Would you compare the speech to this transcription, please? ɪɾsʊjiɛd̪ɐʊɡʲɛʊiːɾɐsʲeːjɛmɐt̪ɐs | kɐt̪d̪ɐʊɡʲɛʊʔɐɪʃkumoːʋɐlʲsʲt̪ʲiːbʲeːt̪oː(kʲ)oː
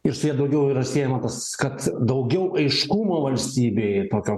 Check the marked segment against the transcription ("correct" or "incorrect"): correct